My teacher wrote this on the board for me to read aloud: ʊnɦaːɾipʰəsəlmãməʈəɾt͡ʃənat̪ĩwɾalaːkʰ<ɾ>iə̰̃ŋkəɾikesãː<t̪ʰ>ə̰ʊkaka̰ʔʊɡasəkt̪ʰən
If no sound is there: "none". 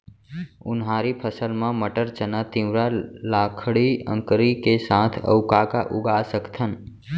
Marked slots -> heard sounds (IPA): ɽ, t̪ʰ

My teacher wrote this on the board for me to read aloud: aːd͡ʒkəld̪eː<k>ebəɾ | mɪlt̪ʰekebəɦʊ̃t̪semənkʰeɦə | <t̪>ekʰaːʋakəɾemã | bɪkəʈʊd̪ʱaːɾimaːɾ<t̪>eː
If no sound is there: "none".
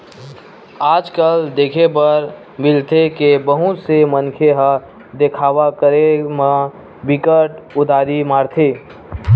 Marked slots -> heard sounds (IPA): kʰ, d̪, t̪ʰ

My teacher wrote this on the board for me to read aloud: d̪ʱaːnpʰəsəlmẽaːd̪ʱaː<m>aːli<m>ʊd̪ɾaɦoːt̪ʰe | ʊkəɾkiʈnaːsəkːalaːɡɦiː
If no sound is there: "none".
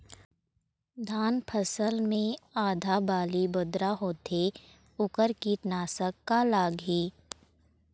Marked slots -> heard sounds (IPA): b, b

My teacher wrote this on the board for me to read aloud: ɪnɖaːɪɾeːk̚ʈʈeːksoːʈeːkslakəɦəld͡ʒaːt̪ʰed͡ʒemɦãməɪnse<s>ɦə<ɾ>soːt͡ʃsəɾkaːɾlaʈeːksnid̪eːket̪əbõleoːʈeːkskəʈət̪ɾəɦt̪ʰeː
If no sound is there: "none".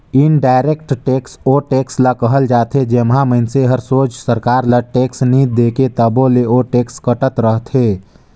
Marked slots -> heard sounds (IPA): none, ɾ

